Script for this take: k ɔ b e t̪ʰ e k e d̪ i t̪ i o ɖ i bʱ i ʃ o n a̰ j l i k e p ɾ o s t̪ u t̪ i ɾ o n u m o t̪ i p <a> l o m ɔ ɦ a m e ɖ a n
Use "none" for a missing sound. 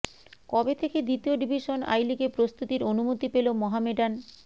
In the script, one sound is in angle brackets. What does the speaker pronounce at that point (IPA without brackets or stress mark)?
e